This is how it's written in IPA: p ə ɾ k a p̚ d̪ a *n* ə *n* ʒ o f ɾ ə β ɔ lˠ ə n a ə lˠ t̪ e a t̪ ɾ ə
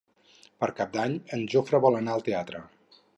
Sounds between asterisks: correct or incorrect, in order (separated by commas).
incorrect, correct